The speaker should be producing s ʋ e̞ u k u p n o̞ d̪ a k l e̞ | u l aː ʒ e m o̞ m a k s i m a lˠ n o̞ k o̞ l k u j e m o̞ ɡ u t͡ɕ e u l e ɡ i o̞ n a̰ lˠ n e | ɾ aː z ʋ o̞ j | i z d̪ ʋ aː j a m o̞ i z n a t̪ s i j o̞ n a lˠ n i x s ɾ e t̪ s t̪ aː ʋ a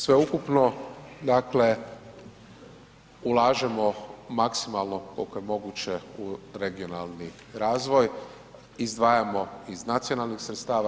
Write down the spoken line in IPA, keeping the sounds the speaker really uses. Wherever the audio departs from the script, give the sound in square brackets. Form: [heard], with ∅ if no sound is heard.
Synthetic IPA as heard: s ʋ e̞ u k u p n o̞ d̪ a k l e̞ | u l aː ʒ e m o̞ m a k s i m a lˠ n o̞ k o̞ l k [o] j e m o̞ ɡ u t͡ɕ e u [ɾ] e ɡ i o̞ n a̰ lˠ n [i] | ɾ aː z ʋ o̞ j | i z d̪ ʋ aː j a m o̞ i z n a t̪ s i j o̞ n a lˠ n i x s ɾ e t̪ s t̪ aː ʋ a